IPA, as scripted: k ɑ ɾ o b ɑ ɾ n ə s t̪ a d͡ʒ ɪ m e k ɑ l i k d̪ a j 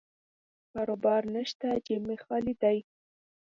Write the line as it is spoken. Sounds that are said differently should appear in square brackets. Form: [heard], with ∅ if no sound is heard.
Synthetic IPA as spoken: k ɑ ɾ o b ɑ ɾ n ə [ʃ] t̪ a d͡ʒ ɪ m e [x] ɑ l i [∅] d̪ a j